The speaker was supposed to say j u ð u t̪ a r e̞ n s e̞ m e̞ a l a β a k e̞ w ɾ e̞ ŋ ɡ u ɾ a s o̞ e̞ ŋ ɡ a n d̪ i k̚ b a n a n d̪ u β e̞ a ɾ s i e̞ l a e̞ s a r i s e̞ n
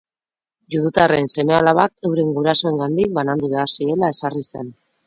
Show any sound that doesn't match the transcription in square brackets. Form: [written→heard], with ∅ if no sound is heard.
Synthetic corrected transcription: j u ð u t̪ a r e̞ n s e̞ m e̞ a l a β a k e̞ w ɾ e̞ ŋ ɡ u ɾ a s o̞ e̞ ŋ ɡ a n d̪ i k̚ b a n a n d̪ u β e̞ a ɾ s i e̞ l a e̞ s a r i s e̞ n